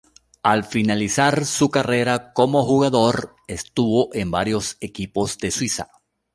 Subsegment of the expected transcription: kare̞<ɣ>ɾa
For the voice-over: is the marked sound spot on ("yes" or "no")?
no